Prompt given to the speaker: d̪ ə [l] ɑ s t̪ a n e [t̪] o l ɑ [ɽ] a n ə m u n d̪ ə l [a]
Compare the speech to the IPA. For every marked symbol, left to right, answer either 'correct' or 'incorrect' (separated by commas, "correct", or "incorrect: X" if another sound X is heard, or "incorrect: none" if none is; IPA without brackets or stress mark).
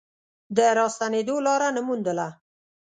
incorrect: ɾ, incorrect: d̪, incorrect: ɾ, correct